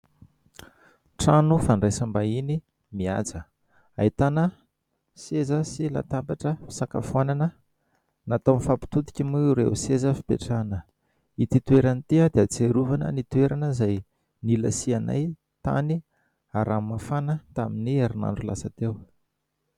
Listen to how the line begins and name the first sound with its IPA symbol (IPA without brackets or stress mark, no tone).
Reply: ʈ͡ʂ